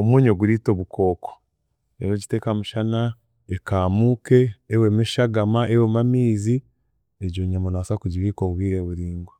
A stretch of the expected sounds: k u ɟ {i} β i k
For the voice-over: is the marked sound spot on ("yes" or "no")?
yes